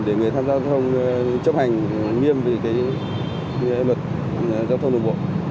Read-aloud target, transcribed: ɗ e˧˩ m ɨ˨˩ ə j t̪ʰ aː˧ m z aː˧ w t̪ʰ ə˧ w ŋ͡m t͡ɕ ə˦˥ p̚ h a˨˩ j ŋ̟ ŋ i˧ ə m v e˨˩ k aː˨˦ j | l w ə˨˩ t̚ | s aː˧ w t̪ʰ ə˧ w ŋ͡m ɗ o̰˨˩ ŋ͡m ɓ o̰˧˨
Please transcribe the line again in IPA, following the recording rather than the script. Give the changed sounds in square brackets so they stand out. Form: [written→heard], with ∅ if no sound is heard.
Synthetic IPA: ɗ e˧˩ [m→ŋ] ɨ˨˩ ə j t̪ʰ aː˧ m z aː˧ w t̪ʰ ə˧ w ŋ͡m t͡ɕ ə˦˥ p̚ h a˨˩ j ŋ̟ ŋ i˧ ə m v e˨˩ k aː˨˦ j | l w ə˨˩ t̚ | [s→z] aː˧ w t̪ʰ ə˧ w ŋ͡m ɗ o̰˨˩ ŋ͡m ɓ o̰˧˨

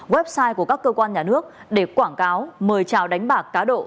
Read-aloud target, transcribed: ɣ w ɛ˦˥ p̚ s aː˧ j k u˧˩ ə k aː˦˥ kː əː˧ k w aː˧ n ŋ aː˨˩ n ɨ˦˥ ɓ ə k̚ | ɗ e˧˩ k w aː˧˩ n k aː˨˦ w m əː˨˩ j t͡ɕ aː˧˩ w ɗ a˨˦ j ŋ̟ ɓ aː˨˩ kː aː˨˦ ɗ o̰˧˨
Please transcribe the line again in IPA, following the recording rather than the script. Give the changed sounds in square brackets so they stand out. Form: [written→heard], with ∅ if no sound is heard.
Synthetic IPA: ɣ w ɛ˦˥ p̚ s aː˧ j k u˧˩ ə k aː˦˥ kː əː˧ k w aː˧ n [ŋ→ɲ] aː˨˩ n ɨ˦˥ [ɓ→∅] ə k̚ | ɗ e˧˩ k w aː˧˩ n k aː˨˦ w m əː˨˩ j t͡ɕ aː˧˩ w ɗ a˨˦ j ŋ̟ ɓ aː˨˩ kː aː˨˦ ɗ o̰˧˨

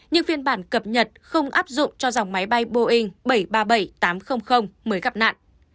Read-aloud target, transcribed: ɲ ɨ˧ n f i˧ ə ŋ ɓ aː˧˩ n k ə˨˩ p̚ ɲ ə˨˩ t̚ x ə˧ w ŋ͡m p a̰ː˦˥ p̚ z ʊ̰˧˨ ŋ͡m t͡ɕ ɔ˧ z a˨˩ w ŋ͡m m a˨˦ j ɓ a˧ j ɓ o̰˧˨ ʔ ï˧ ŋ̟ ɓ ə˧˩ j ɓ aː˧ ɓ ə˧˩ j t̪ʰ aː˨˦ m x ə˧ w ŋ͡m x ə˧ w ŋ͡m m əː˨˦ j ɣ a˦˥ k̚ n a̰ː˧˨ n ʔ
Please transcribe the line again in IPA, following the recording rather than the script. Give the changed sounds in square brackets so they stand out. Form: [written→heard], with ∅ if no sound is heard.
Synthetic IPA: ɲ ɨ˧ [n→ŋ] f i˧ ə [ŋ→n] ɓ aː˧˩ n k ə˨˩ p̚ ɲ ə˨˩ t̚ x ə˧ w ŋ͡m [p→ʔ] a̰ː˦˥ p̚ z ʊ̰˧˨ ŋ͡m t͡ɕ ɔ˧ z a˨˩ w ŋ͡m m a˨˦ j ɓ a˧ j ɓ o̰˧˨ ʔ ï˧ ŋ̟ ɓ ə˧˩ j ɓ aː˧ ɓ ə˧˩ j [t̪ʰ→t̪] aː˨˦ m x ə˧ w ŋ͡m x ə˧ w ŋ͡m m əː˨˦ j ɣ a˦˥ [k̚→p̚] n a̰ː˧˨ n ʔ

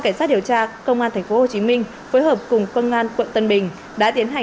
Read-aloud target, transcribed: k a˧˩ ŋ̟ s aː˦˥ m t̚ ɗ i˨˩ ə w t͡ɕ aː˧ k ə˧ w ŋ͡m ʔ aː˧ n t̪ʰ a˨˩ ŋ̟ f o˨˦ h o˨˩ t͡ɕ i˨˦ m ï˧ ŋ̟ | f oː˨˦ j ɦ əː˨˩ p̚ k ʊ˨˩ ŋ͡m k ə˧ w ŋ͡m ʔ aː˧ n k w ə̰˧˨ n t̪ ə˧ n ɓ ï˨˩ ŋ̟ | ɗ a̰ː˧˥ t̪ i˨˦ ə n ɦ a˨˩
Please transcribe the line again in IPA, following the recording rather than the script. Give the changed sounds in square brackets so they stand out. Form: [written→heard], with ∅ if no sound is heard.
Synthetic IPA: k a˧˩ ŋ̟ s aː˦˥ [m→∅] t̚ ɗ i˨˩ ə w t͡ɕ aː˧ k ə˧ w ŋ͡m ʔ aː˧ n t̪ʰ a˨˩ ŋ̟ f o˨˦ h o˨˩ t͡ɕ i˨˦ m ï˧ ŋ̟ | f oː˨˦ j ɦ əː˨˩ p̚ k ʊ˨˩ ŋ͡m k ə˧ w ŋ͡m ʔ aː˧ n k w ə̰˧˨ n t̪ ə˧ n ɓ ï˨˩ ŋ̟ | ɗ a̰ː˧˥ t̪ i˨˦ ə n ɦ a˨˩

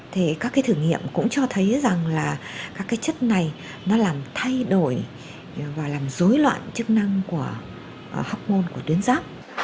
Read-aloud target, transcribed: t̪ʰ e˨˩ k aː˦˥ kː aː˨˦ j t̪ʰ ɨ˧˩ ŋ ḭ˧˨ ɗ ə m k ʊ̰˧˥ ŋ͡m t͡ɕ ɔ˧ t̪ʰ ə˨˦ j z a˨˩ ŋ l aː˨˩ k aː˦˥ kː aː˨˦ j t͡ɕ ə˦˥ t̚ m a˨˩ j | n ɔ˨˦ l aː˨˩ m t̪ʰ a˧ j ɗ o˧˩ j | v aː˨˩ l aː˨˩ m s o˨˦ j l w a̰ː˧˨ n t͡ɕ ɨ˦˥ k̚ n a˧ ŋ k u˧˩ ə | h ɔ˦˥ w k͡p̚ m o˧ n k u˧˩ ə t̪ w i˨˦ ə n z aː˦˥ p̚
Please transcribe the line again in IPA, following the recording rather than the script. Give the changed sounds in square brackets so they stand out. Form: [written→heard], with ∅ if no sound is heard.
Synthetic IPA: t̪ʰ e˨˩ k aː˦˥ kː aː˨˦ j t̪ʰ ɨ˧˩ ŋ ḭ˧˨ [ɗ→∅] ə m k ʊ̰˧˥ ŋ͡m t͡ɕ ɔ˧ t̪ʰ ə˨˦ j z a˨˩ ŋ l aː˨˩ k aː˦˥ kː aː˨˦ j t͡ɕ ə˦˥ t̚ [m→n] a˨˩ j | n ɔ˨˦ l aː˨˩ m t̪ʰ a˧ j ɗ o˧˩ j | v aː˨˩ l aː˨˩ m [s→z] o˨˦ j l w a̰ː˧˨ n t͡ɕ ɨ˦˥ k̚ n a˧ ŋ k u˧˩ ə | h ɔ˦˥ w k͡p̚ m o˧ n k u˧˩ ə t̪ w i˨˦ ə n z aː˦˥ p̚

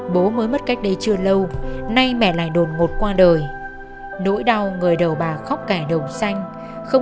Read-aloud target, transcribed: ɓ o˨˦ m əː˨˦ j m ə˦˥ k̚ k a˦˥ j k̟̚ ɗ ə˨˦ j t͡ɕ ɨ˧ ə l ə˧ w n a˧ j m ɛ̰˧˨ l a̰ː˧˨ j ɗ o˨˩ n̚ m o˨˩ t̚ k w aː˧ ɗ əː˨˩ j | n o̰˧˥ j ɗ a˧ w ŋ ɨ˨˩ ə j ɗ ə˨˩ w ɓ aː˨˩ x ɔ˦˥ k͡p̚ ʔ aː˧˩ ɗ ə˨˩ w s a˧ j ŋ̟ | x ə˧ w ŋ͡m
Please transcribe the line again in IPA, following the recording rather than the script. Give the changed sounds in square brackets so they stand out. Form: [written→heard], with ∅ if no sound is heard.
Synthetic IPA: ɓ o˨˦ m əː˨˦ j m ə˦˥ [k̚→t̚] k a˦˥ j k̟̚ ɗ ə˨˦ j t͡ɕ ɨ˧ ə l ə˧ w n a˧ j m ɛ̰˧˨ l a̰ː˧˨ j ɗ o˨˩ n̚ [m→ŋ] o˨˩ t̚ k w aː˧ ɗ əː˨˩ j | n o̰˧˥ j ɗ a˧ w ŋ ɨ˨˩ ə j ɗ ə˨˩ w ɓ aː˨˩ x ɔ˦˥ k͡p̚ [ʔ→k] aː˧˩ ɗ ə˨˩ w s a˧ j ŋ̟ | x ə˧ w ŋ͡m

